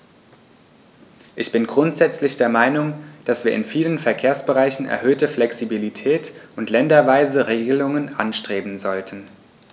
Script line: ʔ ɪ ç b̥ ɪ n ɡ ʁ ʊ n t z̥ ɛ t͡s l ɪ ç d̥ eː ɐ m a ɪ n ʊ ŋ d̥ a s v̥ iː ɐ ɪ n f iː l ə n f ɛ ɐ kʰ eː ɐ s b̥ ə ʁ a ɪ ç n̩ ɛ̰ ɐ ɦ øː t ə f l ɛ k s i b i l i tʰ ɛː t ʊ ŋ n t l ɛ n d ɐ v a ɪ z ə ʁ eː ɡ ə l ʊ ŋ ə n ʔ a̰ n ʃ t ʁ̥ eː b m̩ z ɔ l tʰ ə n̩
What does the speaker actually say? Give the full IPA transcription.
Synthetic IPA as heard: ʔ ɪ ç b̥ ɪ n ɡ ʁ ʊ n t z̥ ɛ t͡s l ɪ ç d̥ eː ɐ m a ɪ n ʊ ŋ d̥ a s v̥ iː ɐ ɪ n f iː l ə n f ɛ ɐ kʰ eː ɐ s b̥ ə ʁ a ɪ ç n̩ ɛ̰ ɐ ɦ øː t ə f l ɛ k s i b i l i tʰ ɛː t ʊ n t l ɛ n d ɐ v a ɪ z ə ʁ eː ɡ ə l ʊ ŋ ə n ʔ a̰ n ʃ t ʁ̥ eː b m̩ z ɔ l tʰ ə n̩